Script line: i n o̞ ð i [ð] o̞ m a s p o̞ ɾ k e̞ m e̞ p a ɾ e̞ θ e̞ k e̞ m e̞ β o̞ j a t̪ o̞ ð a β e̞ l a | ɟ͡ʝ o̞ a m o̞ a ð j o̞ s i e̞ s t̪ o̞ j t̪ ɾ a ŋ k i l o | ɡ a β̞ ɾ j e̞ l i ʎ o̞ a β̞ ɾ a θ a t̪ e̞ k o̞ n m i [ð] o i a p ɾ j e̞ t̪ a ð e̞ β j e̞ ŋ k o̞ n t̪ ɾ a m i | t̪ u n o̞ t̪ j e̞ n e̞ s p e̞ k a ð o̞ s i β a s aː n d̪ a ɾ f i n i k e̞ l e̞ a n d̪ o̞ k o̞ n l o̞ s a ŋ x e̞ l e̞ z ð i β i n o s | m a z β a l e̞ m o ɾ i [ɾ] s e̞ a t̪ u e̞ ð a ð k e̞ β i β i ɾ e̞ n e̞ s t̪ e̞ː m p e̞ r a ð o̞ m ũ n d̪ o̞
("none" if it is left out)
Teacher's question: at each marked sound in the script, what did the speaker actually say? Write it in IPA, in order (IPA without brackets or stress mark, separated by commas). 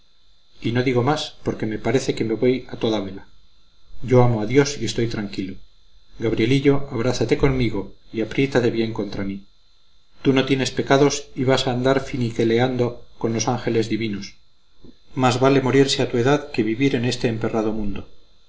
ɣ, ɣ, ɾ